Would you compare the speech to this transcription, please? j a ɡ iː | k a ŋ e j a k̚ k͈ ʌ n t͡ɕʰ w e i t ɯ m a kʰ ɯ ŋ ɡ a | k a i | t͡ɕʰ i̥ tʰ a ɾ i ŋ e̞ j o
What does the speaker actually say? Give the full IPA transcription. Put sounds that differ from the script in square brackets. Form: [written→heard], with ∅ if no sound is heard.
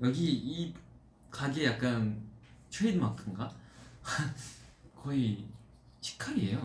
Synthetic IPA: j [a→ʌ] ɡ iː | k a [ŋ→ɡ] e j a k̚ k͈ [ʌ→a] n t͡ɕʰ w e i [t→d] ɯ m a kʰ ɯ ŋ ɡ a | k [a→ʌ] i | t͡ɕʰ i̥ [tʰ→kʰ] a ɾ i [ŋ→∅] e̞ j o